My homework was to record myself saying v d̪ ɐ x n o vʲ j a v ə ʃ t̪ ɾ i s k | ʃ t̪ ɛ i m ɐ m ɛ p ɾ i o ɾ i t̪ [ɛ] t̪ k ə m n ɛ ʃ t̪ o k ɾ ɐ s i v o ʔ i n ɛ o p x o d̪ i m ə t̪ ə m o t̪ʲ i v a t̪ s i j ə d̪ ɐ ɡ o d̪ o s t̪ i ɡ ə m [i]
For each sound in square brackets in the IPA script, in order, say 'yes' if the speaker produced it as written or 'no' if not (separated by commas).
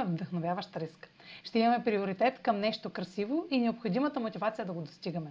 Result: yes, no